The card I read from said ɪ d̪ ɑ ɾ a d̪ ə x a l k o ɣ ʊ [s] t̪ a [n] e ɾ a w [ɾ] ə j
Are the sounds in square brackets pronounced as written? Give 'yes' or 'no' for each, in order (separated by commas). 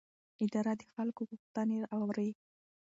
no, yes, yes